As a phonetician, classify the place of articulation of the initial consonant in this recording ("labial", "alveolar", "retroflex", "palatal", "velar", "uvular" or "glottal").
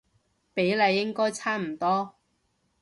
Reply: labial